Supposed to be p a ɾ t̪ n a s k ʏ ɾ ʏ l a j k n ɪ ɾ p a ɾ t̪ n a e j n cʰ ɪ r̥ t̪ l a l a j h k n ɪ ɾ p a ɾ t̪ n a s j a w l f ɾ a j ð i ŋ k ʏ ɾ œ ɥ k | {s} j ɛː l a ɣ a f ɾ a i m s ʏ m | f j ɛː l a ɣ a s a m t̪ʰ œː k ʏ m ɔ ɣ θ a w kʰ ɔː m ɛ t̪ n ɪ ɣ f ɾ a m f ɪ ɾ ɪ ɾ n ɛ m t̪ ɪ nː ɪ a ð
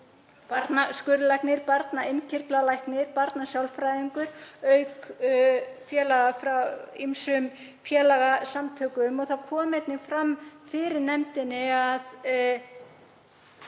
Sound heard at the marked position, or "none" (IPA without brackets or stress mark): f